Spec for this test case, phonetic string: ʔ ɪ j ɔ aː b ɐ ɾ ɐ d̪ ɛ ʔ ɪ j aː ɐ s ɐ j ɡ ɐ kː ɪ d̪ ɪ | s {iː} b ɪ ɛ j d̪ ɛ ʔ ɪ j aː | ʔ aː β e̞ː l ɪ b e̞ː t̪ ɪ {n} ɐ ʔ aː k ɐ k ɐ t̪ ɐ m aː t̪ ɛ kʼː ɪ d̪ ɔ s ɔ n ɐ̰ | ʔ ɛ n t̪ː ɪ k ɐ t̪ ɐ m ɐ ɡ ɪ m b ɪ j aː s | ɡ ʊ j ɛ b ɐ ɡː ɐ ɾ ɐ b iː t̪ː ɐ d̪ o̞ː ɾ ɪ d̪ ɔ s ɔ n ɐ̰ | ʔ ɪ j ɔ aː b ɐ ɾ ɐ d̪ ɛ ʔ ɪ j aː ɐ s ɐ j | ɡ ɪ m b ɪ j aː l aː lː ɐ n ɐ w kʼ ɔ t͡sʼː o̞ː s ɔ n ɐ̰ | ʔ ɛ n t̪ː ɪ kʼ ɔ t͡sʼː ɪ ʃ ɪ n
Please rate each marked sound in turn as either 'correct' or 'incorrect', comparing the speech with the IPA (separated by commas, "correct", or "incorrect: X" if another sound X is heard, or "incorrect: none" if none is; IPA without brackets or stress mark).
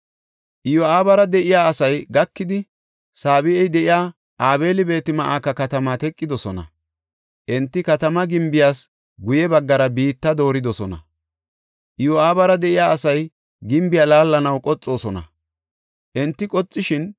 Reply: incorrect: aː, incorrect: m